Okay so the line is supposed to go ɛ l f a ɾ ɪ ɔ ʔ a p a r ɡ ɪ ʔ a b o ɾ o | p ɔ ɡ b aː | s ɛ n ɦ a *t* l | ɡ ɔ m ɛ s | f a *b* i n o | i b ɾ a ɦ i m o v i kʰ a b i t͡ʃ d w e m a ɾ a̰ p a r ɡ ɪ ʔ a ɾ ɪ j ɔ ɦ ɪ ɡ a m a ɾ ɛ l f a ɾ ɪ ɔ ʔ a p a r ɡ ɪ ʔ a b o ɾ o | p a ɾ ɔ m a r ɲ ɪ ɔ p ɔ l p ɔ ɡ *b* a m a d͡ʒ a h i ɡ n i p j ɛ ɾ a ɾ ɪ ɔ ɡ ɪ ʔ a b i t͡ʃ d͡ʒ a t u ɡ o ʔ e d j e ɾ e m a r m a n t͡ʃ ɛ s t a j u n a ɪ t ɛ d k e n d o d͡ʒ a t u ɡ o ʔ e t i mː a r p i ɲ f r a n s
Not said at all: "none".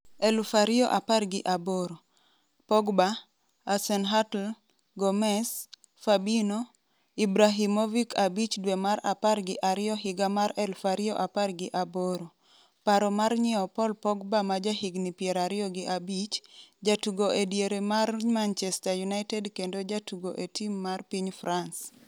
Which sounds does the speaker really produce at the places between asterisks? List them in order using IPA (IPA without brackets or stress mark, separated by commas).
t, b, b